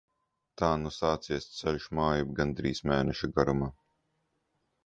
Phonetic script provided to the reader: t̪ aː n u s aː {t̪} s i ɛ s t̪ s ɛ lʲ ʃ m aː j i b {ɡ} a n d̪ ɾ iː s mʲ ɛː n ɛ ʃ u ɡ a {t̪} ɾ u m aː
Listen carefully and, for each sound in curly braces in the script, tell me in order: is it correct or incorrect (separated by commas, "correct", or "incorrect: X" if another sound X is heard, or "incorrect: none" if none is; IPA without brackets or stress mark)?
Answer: correct, correct, incorrect: none